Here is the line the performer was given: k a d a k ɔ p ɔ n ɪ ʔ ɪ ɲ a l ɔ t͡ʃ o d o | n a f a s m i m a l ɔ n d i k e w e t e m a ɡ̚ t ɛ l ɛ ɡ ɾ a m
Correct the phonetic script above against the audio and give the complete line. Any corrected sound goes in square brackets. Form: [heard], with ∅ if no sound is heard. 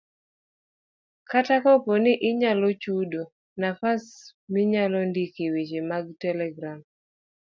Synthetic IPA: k a [t] a k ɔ p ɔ n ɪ ʔ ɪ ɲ a l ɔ t͡ʃ [u] d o | n a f a s m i [ɲ] a l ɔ n d i k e w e [t͡ʃ] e m a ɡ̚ t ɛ l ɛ ɡ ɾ a m